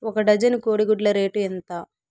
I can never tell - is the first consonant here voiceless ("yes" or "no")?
yes